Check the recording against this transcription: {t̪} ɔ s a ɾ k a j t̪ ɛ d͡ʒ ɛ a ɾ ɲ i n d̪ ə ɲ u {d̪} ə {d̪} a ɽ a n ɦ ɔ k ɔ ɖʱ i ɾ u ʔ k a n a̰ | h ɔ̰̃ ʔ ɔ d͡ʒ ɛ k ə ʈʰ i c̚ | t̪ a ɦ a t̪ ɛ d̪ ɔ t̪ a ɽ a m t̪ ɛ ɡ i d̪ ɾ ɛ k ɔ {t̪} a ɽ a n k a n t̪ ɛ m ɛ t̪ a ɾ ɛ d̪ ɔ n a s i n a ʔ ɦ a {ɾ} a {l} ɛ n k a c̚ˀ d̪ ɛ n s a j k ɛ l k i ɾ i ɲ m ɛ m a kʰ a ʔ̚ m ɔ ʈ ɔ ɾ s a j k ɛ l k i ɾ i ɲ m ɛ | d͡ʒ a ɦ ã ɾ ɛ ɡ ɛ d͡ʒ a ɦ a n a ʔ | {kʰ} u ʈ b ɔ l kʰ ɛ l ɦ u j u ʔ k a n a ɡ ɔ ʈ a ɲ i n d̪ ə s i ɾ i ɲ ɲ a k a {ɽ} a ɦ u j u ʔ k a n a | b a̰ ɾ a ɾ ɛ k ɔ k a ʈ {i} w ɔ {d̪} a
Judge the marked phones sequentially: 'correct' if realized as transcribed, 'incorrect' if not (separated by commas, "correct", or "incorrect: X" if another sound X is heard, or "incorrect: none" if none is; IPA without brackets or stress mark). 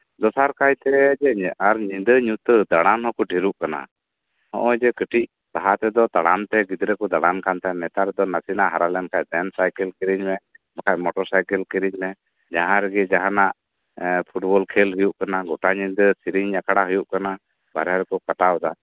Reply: incorrect: d̪, incorrect: t̪, correct, incorrect: d̪, correct, correct, incorrect: pʰ, correct, incorrect: a, correct